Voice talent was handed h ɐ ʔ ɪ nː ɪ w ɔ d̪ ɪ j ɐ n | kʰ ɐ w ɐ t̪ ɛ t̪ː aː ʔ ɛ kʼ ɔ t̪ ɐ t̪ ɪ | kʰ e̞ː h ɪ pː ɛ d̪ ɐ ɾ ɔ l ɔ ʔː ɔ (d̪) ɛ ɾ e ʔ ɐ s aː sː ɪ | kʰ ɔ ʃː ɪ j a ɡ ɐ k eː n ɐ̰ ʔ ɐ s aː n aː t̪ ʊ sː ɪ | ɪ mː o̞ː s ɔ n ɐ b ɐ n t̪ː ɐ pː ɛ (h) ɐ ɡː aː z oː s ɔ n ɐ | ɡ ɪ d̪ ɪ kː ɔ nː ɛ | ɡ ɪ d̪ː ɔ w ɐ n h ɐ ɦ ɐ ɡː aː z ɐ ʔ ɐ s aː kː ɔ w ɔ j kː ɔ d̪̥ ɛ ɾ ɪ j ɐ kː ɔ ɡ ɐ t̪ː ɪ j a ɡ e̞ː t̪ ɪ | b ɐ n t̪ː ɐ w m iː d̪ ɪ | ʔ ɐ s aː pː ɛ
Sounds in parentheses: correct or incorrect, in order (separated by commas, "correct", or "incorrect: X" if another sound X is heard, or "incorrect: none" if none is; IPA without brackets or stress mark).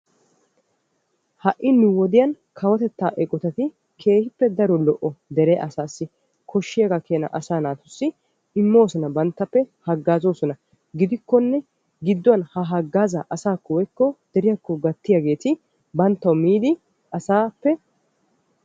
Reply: correct, correct